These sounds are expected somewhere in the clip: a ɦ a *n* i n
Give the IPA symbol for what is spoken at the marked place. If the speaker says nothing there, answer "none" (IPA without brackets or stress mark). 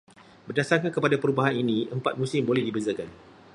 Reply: n